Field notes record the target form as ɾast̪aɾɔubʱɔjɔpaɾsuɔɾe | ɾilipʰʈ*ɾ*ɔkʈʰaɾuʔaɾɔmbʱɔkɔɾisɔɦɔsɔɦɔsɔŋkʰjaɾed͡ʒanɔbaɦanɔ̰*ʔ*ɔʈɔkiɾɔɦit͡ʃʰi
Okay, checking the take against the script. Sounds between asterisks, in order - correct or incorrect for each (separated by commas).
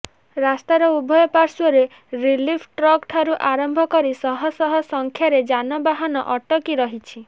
correct, correct